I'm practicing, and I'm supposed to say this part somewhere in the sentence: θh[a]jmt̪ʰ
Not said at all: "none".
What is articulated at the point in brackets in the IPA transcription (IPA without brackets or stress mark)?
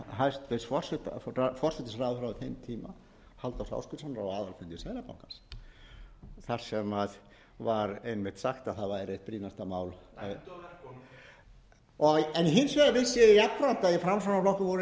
e